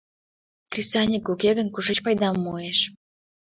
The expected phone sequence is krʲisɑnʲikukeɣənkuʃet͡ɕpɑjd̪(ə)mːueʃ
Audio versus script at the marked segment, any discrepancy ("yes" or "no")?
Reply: yes